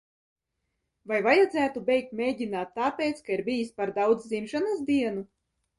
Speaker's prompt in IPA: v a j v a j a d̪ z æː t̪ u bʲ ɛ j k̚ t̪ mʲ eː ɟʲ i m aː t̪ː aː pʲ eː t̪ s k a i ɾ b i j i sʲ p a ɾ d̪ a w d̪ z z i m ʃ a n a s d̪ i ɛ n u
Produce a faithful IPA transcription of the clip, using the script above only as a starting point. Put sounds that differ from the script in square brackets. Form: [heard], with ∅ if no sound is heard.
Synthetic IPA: v a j v a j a d̪ z æː t̪ u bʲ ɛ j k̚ t̪ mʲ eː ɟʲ i [n] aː t̪ː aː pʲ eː t̪ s k a i ɾ b i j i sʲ p a ɾ d̪ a w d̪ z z i m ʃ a n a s d̪ i ɛ n u